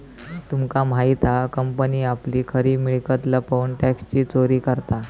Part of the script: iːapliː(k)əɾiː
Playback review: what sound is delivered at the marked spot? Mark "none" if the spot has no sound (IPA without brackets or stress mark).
kʰ